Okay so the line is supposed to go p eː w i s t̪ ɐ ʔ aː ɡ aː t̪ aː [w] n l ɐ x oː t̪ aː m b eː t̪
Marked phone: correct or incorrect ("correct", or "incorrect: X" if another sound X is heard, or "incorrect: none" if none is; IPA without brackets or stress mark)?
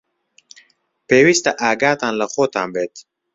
incorrect: none